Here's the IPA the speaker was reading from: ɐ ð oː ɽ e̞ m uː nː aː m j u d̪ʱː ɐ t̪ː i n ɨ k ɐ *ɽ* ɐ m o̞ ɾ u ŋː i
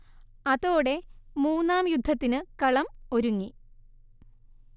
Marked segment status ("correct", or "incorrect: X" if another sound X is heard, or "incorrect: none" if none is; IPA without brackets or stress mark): incorrect: ɭ